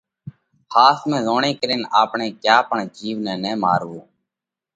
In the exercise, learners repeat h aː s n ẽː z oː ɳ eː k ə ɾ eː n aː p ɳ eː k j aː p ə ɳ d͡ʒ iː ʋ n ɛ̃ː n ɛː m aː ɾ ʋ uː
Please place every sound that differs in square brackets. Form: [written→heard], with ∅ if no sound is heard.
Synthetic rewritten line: h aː s [n→m] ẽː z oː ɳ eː k ə ɾ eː n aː p ɳ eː k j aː p ə ɳ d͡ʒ iː ʋ n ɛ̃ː n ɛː m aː ɾ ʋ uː